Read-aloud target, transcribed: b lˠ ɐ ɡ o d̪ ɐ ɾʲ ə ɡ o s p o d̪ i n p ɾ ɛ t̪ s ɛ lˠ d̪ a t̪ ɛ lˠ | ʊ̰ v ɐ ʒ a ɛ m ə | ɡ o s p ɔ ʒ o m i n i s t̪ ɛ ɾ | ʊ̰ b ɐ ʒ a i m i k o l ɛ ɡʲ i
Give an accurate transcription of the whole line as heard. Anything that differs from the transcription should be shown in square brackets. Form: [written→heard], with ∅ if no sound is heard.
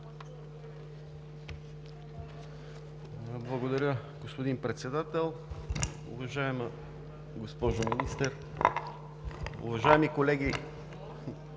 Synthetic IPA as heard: b lˠ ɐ ɡ o d̪ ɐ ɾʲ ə ɡ o s p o d̪ i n p ɾ ɛ t̪ s ɛ [lˠ→∅] d̪ a t̪ ɛ lˠ | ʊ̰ v ɐ ʒ a ɛ m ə | ɡ o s p ɔ ʒ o m i n i s t̪ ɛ ɾ | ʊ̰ [b→v] ɐ ʒ a [i→ɛ] m i k o l ɛ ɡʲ i